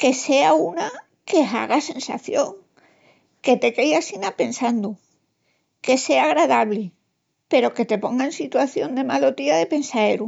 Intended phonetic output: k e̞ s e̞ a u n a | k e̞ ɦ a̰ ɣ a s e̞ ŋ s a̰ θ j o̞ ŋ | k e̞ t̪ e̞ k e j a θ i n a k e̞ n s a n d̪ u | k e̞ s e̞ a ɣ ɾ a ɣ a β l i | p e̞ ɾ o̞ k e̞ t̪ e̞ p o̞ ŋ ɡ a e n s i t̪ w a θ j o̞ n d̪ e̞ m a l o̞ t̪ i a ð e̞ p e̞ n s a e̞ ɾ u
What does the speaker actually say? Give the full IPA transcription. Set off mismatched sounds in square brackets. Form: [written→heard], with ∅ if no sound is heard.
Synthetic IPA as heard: k e̞ s e̞ a u n a | k e̞ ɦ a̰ ɣ a s e̞ [ŋ→n] s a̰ θ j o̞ ŋ | k e̞ t̪ e̞ k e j a [θ→s] i n a [k→p] e̞ n s a n d̪ u | k e̞ s e̞ a ɣ ɾ a [ɣ→ð] a β l i | p e̞ ɾ o̞ k e̞ t̪ e̞ p o̞ ŋ ɡ a e n s i t̪ w a θ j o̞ n d̪ e̞ m a l o̞ t̪ i a ð e̞ p e̞ n s a e̞ ɾ u

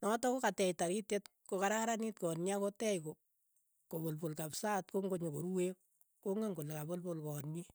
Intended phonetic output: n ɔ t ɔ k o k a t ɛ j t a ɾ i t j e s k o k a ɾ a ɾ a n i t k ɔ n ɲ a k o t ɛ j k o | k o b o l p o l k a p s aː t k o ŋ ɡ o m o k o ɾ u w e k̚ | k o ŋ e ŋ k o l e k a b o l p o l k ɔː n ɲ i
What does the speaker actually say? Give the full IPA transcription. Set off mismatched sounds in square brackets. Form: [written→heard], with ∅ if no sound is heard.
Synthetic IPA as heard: n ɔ t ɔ k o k a t ɛ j t a ɾ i t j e [s→t] k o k a ɾ a ɾ a n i t k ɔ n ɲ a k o t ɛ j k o | k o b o l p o l k a p s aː t k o ŋ ɡ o [m→ɲ] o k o ɾ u w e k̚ | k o ŋ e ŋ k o l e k a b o l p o l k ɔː n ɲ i

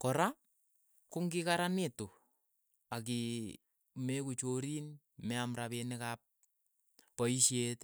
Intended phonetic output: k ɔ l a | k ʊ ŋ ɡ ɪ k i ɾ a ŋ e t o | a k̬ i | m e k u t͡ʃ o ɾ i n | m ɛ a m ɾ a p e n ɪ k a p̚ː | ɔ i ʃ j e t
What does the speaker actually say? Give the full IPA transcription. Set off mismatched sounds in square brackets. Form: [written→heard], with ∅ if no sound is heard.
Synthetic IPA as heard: k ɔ [l→ɾ] a | k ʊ ŋ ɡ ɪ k [i→a] ɾ a [ŋ→n] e t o | a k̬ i | m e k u t͡ʃ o ɾ i n | m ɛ a m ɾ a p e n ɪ k a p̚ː | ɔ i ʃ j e t

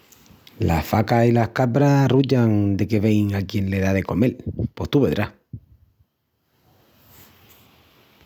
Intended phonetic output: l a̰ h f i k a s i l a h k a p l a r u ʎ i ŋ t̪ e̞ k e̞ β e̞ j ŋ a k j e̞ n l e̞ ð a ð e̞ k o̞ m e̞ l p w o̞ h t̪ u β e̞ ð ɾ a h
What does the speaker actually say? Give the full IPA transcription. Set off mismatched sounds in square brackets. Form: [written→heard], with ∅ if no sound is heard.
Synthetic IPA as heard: l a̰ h f [i→a] k a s i l a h k a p [l→ɾ] a r u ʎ [i→a] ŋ [t̪→d̪] e̞ k e̞ β e̞ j ŋ a k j e̞ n l e̞ ð a ð e̞ k o̞ m e̞ l p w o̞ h t̪ u β e̞ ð ɾ a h

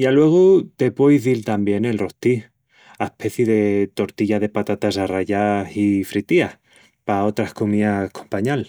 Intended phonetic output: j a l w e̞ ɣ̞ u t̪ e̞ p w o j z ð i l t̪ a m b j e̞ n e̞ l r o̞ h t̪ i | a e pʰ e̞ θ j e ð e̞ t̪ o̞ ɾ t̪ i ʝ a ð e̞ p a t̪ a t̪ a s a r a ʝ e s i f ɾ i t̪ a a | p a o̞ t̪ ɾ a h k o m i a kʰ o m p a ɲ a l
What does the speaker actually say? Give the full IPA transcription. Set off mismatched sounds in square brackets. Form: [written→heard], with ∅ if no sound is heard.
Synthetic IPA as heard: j a l w e̞ ɣ̞ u t̪ e̞ p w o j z ð i l t̪ a m b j e̞ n e̞ l r o̞ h t̪ i | a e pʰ e̞ θ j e ð e̞ t̪ o̞ ɾ t̪ i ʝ a ð e̞ p a t̪ a t̪ a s a r a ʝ [e→a] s i f ɾ i t̪ [a→i] a | p a o̞ t̪ ɾ a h k o m i a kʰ o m p a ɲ a l

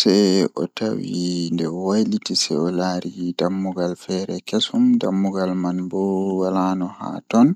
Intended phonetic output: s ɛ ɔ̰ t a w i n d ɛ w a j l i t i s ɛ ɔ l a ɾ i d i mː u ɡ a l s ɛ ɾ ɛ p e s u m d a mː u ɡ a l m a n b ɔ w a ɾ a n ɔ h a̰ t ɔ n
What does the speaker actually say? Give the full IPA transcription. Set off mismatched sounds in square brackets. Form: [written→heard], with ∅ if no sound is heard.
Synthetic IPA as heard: s ɛ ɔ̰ t a w i n d ɛ w a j l i t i s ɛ ɔ l a ɾ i d [i→a] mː u ɡ a l [s→f] ɛ ɾ ɛ [p→k] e s u m d a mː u ɡ a l m a n b ɔ w a [ɾ→l] a n ɔ h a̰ t ɔ n

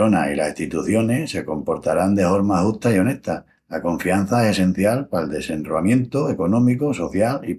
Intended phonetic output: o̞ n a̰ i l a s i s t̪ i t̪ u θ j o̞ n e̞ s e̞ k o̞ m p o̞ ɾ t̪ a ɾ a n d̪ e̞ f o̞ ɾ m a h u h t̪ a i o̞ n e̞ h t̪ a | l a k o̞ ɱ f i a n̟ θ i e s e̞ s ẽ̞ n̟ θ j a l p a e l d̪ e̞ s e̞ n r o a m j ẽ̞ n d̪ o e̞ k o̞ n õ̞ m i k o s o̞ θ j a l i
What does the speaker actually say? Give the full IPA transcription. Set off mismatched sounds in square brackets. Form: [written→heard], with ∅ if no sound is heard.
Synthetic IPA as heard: o̞ n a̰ i l a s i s t̪ i t̪ u θ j o̞ n e̞ s e̞ k o̞ m p o̞ ɾ t̪ a ɾ a n d̪ e̞ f o̞ ɾ m a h u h t̪ a i o̞ n e̞ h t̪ a | l a k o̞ ɱ f i a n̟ θ [i→a] e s e̞ s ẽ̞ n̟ θ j a l p a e l d̪ e̞ s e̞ n r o a m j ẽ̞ n [d̪→t̪] o e̞ k o̞ n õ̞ m i k o s o̞ θ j a l i

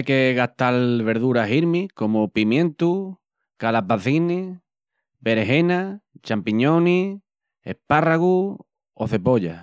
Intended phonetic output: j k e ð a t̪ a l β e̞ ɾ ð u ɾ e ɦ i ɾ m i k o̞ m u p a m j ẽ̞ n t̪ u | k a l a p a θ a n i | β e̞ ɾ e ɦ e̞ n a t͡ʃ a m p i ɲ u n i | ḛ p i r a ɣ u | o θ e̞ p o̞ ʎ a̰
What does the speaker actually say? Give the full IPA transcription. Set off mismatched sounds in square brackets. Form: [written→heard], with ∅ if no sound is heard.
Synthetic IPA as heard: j k e [ð→ɣ] a t̪ a l β e̞ ɾ ð u ɾ [e→a] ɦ i ɾ m i k o̞ m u p [a→i] m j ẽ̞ n t̪ u | k a l a p a θ [a→i] n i | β e̞ ɾ e ɦ e̞ n a t͡ʃ a m p i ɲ [u→o] n i | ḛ p [i→a] r a ɣ u | o θ e̞ p o̞ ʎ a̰

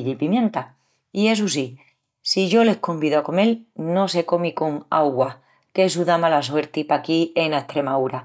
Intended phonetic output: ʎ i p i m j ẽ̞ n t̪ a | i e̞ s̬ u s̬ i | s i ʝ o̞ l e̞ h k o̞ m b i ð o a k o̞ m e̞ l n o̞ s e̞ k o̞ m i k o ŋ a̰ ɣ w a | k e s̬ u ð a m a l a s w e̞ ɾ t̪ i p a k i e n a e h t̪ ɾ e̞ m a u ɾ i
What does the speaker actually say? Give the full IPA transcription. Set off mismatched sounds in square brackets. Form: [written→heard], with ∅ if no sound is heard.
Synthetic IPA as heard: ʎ i p i m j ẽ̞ n t̪ a | i e̞ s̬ u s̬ i | s i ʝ o̞ l e̞ h k o̞ m b i ð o a k o̞ m e̞ l n o̞ s e̞ k o̞ m i k o ŋ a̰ ɣ w a | k e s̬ u ð a m a l a s w e̞ ɾ t̪ i p a k i e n a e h t̪ ɾ e̞ m a u ɾ [i→a]

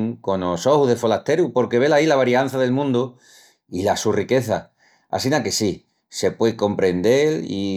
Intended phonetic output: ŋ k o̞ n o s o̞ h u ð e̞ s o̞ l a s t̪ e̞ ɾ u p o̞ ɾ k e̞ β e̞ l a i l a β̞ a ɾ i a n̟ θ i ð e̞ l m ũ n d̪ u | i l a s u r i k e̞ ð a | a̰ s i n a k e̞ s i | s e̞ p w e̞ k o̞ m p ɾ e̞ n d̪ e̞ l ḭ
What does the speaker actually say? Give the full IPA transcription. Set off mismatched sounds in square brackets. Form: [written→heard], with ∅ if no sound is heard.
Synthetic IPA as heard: ŋ k o̞ n o s o̞ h u ð e̞ [s→f] o̞ l a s t̪ e̞ ɾ u p o̞ ɾ k e̞ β e̞ l a i l a β̞ a ɾ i a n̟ θ [i→a] ð e̞ l m ũ n d̪ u | i l a s u r i k e̞ [ð→θ] a | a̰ s i n a k e̞ s i | s e̞ p w e̞ k o̞ m p ɾ e̞ n d̪ e̞ l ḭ

